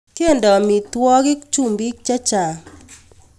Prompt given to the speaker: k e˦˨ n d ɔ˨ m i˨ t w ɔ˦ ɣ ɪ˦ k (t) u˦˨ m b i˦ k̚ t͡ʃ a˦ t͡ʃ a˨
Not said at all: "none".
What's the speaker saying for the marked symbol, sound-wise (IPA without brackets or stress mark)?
t͡ʃ